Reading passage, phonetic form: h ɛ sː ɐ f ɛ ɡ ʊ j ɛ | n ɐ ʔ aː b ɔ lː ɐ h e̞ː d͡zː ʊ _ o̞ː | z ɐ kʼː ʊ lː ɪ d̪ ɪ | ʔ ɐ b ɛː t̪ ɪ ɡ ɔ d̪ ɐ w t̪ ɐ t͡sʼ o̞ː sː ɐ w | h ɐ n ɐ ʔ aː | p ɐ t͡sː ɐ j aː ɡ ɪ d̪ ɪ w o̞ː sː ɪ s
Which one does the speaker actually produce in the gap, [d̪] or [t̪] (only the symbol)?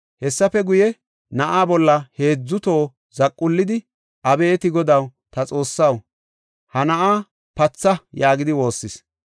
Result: t̪